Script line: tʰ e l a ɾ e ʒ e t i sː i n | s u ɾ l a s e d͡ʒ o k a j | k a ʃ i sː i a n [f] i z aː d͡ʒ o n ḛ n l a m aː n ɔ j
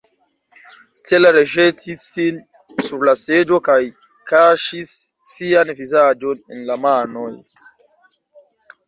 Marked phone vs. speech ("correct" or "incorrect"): incorrect